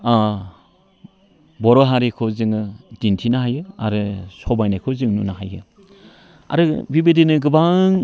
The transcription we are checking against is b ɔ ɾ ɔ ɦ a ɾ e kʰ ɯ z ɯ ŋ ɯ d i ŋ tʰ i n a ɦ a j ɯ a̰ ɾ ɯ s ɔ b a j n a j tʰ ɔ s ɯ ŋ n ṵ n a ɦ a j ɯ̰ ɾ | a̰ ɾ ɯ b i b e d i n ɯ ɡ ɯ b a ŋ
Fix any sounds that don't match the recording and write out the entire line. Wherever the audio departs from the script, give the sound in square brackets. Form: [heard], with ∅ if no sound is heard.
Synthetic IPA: b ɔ ɾ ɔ ɦ a ɾ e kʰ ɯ z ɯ ŋ ɯ d i [n] tʰ i n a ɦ a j ɯ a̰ ɾ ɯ s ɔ b a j n a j [kʰ] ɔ [z] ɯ ŋ n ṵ n a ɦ a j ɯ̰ [∅] | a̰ ɾ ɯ b i b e d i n ɯ ɡ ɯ b a ŋ

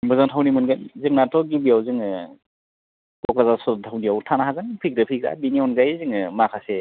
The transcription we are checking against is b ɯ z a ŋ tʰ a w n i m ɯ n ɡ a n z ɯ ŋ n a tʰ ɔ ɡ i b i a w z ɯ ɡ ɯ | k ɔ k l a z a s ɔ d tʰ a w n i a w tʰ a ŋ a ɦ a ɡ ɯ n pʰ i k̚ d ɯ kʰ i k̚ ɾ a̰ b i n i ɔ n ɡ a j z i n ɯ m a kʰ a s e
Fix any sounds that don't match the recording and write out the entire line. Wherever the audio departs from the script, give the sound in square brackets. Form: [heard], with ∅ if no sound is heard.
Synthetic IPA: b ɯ z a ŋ tʰ a w n i m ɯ n ɡ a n z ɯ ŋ n a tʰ ɔ ɡ i b i a w z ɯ [ŋ] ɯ | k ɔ k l a z a s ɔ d tʰ a w n i a w tʰ a [n] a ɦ a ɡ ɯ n pʰ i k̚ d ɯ [pʰ] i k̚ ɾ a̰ b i n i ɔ n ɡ a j z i [ŋ] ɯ m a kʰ a s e

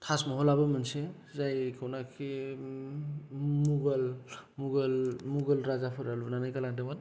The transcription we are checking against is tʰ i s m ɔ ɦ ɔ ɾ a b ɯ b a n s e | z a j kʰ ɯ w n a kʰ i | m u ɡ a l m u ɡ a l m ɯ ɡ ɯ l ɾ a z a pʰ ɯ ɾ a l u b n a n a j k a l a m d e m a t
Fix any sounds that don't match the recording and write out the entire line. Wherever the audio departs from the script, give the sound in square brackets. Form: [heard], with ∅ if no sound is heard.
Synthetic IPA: tʰ [a] s m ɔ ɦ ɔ [l] a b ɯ [m] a n s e | z a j kʰ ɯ w n a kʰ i | m u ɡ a l m u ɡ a l m [u] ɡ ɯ l ɾ a z a pʰ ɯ ɾ a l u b n a n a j k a l a [ŋ] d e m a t

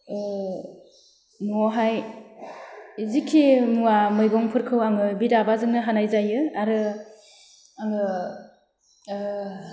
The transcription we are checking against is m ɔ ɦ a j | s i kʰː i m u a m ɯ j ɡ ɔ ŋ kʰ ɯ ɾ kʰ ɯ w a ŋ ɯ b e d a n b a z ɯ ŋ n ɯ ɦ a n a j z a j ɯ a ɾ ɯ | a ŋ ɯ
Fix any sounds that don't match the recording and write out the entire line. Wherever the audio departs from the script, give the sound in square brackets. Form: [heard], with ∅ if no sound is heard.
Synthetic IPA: m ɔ ɦ a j | [z] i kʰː i m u a m ɯ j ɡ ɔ ŋ [pʰ] ɯ ɾ kʰ ɯ w a ŋ ɯ b [i] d a [∅] b a z ɯ ŋ n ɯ ɦ a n a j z a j ɯ a ɾ ɯ | a ŋ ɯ

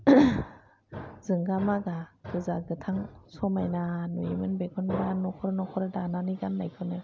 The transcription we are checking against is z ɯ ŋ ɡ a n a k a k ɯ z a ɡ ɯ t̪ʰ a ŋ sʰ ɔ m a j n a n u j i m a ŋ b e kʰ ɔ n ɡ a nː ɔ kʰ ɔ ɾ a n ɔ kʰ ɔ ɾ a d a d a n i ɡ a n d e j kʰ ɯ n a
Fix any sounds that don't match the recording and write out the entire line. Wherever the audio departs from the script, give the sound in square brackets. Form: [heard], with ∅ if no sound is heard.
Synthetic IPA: z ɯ ŋ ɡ a [m] a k a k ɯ z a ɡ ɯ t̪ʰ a ŋ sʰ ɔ m a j n a n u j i m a [n] b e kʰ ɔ n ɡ a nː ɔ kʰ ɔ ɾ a n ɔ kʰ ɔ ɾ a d a [n] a n i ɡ a n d [a] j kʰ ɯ n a

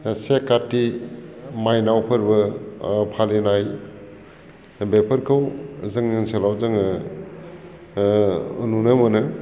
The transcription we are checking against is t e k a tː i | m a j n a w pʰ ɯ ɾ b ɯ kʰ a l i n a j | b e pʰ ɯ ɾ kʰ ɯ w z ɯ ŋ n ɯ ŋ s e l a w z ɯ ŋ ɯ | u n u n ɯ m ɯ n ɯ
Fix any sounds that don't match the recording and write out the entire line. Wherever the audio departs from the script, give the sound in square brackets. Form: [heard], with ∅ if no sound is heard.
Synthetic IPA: [s] e k a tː i | m a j n a w pʰ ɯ ɾ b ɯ [pʰ] a l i n a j | b e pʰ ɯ ɾ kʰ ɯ w z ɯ ŋ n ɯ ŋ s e l a w z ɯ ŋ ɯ | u n u n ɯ m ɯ n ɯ

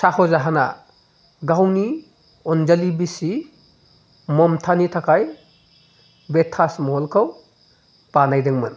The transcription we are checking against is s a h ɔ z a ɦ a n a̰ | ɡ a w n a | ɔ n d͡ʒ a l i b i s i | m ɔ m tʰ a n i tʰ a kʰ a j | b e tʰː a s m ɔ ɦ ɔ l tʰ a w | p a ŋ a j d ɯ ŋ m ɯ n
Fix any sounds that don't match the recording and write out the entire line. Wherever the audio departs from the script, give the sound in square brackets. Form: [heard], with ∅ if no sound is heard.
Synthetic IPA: s a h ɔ z a ɦ a n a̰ | ɡ a w n [i] | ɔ n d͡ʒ a l i b i s i | m ɔ m tʰ a n i tʰ a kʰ a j | b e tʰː a s m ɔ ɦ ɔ l [kʰ] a w | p a [n] a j d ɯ ŋ m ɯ n

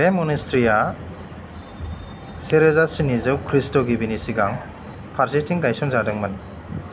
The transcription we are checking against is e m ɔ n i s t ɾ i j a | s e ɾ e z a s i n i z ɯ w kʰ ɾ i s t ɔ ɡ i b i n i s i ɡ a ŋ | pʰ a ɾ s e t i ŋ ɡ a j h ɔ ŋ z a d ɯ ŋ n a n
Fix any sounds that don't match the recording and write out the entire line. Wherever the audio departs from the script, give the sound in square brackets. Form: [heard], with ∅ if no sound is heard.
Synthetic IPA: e m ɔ n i s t ɾ i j a | s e ɾ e z a s i n i z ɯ w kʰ ɾ i s t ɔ ɡ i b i n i s i ɡ a ŋ | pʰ a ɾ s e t i ŋ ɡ a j [s] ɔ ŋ z a d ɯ ŋ [m] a n

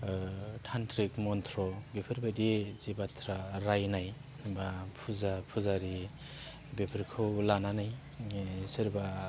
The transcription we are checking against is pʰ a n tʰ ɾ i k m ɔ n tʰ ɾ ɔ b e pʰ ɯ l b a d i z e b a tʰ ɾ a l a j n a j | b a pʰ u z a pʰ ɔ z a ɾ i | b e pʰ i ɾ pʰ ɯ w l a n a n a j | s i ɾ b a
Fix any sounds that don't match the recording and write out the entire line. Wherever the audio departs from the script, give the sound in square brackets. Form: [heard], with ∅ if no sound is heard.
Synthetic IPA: [tʰ] a n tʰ ɾ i k m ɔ n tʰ ɾ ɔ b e pʰ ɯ [ɾ] b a d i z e b a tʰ ɾ a [ɾ] a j n a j | b a pʰ u z a pʰ [u] z a ɾ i | b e pʰ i ɾ [kʰ] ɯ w l a n a n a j | s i ɾ b a

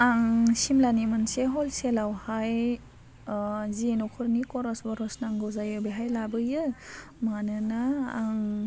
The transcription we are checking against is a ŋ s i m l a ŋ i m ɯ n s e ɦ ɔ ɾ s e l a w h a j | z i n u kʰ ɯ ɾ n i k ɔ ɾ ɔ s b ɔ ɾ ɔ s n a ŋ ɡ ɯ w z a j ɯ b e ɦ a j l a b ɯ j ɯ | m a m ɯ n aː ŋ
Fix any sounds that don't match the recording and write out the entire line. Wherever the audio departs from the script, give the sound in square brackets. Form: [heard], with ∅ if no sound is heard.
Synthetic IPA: a ŋ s i m l a [n] i m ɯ n s e ɦ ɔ [l] s e l a w h a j | z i n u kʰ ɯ ɾ n i k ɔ ɾ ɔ s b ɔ ɾ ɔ s n a ŋ ɡ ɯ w z a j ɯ b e ɦ a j l a b ɯ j ɯ | m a [n] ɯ n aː ŋ

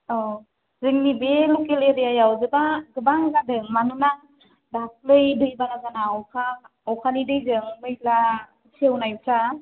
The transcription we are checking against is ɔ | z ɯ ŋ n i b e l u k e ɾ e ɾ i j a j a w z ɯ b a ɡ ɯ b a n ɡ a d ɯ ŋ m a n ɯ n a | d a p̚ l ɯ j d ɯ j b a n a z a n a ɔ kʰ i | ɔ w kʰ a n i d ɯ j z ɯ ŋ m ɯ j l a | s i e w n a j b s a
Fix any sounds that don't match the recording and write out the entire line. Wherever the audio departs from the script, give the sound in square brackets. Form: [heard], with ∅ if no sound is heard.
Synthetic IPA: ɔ | z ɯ ŋ n i b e l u k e [l] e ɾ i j a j a w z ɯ b a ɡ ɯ b a [ŋ] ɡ a d ɯ ŋ m a n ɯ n a | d a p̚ l ɯ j d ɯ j b a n a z a n a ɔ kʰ [a] | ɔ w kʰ a n i d ɯ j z ɯ ŋ m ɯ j l a | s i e w n a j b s a

